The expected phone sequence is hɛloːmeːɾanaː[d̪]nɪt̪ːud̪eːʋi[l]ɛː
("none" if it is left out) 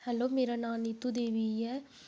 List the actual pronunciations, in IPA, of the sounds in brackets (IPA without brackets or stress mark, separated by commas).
none, none